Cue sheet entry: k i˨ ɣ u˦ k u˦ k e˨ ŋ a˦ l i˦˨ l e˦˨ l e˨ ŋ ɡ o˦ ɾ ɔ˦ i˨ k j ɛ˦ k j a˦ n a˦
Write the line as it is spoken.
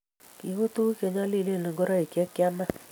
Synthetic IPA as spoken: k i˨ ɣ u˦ t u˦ k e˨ ɲ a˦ l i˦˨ l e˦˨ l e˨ ŋ ɡ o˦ ɾ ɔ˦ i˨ k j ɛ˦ k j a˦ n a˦